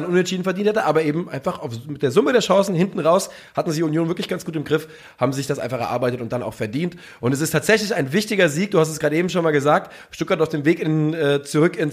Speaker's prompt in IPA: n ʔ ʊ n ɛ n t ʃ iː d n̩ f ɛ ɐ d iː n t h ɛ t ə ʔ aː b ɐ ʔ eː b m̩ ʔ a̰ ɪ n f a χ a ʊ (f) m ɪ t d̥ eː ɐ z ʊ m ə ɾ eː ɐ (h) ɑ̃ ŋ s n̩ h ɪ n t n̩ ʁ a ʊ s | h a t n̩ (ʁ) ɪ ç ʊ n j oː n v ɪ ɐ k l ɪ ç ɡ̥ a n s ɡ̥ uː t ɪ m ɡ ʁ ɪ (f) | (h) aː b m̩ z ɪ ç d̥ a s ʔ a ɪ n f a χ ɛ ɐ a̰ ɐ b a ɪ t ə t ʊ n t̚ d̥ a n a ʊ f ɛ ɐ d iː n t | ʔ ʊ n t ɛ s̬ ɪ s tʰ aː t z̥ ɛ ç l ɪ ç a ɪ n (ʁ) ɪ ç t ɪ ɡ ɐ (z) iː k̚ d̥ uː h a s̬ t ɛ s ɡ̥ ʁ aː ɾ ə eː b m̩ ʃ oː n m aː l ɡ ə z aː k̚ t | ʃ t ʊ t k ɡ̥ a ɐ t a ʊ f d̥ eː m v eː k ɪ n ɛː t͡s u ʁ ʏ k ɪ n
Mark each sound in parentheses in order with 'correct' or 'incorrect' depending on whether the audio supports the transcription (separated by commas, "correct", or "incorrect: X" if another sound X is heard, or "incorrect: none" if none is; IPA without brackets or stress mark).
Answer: correct, incorrect: ʃ, incorrect: z, correct, correct, incorrect: v, correct